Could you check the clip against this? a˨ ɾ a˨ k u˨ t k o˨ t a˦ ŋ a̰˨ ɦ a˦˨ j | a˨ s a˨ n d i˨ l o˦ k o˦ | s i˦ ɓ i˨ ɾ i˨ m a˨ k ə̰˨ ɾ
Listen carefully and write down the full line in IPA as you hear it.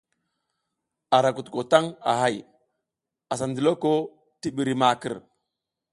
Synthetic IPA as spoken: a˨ ɾ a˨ k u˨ t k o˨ t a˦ ŋ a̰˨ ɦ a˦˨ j | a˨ s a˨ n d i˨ l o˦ k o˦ | t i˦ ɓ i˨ ɾ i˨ m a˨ k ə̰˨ ɾ